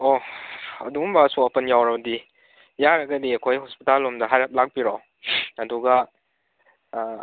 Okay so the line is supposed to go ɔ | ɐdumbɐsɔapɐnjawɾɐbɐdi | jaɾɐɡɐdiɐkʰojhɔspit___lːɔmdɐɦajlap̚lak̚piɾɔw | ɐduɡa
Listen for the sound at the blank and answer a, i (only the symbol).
a